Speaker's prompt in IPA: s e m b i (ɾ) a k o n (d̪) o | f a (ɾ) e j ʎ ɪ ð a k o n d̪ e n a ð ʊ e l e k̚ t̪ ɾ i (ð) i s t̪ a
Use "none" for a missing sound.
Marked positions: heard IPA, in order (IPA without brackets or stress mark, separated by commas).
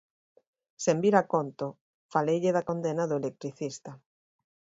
ɾ, t̪, l, θ